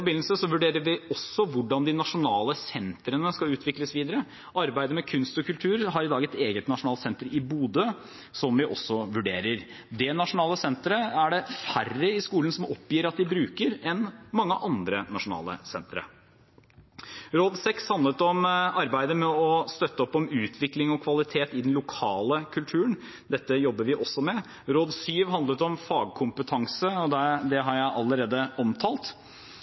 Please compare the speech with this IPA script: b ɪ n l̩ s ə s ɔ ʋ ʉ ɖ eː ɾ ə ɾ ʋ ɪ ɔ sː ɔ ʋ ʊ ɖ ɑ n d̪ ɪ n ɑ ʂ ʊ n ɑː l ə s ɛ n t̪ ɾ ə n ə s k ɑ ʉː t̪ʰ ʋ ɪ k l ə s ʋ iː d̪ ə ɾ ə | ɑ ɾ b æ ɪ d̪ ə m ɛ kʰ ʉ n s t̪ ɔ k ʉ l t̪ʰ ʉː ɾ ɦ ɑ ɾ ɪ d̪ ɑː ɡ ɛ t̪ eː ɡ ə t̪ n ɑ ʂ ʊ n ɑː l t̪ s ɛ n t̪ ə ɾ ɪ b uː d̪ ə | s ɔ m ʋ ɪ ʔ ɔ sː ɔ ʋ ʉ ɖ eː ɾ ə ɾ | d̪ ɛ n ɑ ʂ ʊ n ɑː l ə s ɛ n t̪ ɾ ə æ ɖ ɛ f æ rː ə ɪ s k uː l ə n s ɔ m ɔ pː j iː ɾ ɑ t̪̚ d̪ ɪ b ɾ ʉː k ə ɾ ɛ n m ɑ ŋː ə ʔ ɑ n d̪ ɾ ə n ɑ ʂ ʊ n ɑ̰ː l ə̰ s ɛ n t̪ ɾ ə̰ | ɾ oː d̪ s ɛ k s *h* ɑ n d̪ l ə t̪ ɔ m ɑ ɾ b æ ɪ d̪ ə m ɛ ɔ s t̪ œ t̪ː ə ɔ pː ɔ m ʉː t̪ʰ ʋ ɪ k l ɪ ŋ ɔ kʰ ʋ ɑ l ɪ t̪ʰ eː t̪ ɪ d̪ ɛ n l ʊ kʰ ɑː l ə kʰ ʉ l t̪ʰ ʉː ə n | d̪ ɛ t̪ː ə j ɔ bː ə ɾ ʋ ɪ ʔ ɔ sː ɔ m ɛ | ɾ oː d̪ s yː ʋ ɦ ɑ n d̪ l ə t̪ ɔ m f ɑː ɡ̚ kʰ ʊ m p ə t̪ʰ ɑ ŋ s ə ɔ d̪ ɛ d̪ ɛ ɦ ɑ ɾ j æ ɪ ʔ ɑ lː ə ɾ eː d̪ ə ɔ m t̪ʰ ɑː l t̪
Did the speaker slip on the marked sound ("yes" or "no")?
no